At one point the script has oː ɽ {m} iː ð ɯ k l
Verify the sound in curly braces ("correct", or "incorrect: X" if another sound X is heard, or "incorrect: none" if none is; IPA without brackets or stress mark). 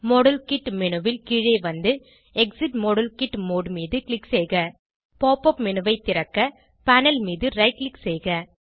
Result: correct